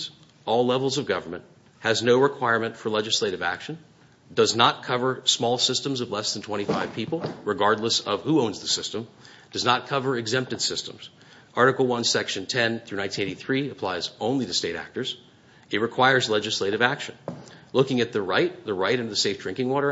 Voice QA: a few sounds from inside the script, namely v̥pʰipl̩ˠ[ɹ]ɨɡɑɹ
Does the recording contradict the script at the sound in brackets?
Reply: no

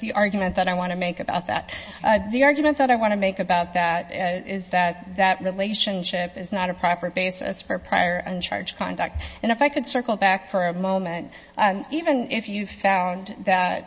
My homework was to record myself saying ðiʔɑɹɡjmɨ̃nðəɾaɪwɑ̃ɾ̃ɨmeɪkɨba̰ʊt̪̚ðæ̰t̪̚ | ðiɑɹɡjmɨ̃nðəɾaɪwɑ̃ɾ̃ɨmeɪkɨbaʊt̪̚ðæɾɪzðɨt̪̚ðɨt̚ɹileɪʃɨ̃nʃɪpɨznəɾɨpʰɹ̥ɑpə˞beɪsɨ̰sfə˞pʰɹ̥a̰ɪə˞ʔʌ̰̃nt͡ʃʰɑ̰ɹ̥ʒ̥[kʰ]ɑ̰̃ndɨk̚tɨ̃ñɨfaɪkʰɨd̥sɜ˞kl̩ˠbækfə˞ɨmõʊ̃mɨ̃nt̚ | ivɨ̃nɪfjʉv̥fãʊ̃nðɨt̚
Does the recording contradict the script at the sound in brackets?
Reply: no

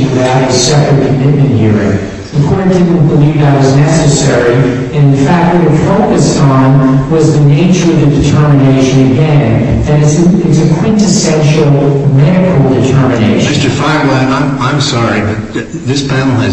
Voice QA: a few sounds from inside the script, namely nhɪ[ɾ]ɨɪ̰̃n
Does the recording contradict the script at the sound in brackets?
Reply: yes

